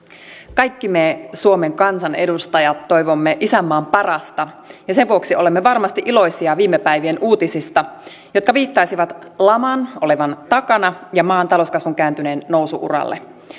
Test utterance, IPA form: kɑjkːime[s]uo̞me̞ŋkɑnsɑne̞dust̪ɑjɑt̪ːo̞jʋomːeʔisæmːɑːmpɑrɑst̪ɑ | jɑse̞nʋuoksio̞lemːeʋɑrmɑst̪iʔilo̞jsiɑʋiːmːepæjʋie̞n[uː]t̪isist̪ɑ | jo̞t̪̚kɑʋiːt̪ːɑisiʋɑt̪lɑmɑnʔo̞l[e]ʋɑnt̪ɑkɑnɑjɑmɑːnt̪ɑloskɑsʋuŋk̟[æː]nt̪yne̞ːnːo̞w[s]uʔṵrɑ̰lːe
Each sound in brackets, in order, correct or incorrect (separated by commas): correct, correct, correct, correct, correct